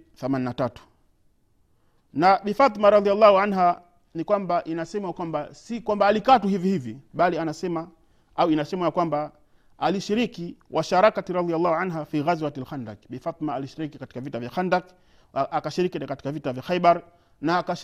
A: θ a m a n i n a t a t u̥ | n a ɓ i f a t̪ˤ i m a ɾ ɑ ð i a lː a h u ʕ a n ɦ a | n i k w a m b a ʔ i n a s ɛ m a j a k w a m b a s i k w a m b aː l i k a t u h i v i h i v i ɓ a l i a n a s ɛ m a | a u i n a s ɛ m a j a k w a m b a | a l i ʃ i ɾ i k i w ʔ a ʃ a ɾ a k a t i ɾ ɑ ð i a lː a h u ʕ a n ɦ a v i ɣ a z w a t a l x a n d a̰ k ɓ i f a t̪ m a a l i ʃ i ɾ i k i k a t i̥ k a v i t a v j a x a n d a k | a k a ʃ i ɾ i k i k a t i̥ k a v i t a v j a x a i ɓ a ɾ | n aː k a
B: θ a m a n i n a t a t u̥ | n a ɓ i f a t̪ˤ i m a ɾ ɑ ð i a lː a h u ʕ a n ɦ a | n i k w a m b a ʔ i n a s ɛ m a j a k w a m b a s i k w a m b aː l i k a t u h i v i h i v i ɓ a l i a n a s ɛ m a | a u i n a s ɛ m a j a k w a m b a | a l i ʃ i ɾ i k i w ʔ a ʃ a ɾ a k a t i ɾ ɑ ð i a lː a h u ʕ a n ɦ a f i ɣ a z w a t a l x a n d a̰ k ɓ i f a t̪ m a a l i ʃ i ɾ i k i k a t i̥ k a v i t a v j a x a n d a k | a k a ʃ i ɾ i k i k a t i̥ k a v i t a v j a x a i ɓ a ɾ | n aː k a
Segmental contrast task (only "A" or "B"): B